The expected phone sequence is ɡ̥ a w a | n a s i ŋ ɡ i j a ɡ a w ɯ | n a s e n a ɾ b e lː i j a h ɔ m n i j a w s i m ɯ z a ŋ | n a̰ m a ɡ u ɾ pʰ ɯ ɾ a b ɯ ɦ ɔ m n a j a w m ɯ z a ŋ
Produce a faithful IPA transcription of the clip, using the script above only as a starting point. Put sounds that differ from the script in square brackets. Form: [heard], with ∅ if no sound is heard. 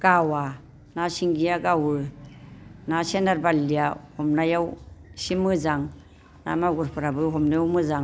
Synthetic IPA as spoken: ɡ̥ a w a | n a s i ŋ ɡ i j a ɡ a w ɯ | n a s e n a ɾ b [a] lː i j a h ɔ m n [a] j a w s i m ɯ z a ŋ | n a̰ m a ɡ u ɾ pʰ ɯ ɾ a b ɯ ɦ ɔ m n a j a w m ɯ z a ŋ

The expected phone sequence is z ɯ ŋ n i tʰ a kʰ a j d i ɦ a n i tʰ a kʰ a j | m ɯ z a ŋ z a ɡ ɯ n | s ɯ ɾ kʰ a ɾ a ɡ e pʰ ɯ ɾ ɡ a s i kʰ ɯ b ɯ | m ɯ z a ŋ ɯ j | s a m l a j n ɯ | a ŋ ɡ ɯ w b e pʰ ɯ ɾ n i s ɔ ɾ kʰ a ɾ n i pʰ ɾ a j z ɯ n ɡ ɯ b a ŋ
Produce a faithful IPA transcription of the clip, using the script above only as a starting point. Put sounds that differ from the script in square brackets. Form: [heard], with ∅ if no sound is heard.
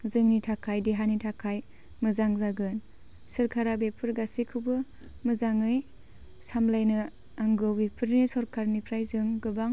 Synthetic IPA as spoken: z ɯ ŋ n i tʰ a kʰ a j d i ɦ a n i tʰ a kʰ a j | m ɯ z a ŋ z a ɡ ɯ n | s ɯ ɾ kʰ a ɾ a [b] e pʰ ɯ ɾ ɡ a s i kʰ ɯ b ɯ | m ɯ z a ŋ ɯ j | s a m l a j n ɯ | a ŋ ɡ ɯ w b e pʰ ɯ ɾ n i s ɔ ɾ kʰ a ɾ n i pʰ ɾ a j z ɯ [ŋ] ɡ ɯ b a ŋ

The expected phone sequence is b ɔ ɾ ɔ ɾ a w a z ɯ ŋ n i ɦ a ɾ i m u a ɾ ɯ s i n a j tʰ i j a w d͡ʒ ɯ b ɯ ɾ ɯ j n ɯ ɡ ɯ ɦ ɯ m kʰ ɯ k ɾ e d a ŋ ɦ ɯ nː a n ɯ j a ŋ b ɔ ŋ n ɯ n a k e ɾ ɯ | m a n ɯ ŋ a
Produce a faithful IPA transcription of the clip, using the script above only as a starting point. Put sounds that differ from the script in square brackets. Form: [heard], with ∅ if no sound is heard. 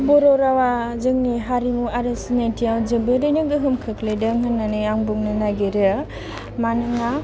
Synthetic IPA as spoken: b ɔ ɾ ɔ ɾ a w a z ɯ ŋ n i ɦ a ɾ i m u a ɾ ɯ s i n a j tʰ i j a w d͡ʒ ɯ b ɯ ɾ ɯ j n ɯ ɡ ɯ ɦ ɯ m kʰ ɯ k [l] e d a ŋ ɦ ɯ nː a n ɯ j a ŋ b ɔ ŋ n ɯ n a [ɡ] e ɾ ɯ | m a n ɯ ŋ a

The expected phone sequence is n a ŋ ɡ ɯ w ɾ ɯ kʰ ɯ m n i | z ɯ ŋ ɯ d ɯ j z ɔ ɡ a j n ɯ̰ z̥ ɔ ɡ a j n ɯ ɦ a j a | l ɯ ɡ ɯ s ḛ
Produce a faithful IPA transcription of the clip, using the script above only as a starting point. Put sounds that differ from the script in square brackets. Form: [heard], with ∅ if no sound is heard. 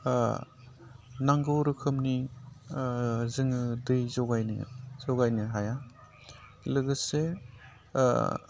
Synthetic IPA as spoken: n a ŋ ɡ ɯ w ɾ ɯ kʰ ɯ m n i | z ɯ ŋ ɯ d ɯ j z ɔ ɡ a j n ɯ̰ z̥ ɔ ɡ a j n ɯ ɦ a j a | l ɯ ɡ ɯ s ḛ

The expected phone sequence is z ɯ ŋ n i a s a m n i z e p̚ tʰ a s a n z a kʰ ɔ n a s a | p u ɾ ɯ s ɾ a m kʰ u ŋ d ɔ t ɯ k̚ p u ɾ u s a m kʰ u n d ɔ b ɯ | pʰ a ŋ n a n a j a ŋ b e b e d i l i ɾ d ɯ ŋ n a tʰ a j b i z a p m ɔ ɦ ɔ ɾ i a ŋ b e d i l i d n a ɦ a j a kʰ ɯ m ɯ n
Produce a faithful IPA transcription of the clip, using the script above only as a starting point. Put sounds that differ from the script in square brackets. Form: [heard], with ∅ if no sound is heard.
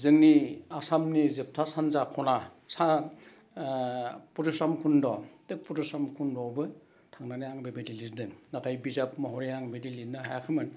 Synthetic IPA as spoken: z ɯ ŋ n i a s a m n i z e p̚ tʰ a s a n z a kʰ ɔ n a s a | p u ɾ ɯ s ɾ a m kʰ u [n] d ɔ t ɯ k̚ p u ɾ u s a m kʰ u n d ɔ b ɯ | [tʰ] a ŋ n a n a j a ŋ b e b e d i l i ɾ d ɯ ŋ n a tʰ a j b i z a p m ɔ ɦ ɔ ɾ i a ŋ b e d i l i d n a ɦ a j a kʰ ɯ m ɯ n

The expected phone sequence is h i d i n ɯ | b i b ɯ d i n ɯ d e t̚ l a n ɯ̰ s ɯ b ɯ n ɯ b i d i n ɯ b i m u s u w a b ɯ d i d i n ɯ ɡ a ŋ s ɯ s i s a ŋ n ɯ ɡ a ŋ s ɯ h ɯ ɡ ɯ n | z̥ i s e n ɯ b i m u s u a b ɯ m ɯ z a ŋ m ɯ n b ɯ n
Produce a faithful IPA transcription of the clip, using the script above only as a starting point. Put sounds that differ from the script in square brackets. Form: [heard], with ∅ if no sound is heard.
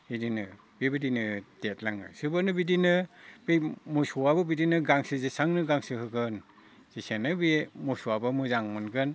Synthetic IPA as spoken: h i d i n ɯ | b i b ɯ d i n ɯ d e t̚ l a [ŋ] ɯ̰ s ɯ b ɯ n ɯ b i d i n ɯ b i m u s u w a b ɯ [b] i d i n ɯ ɡ a ŋ s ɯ [z] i s a ŋ n ɯ ɡ a ŋ s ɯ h ɯ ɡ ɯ n | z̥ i s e n ɯ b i m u s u a b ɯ m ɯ z a ŋ m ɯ n [ɡ] ɯ n

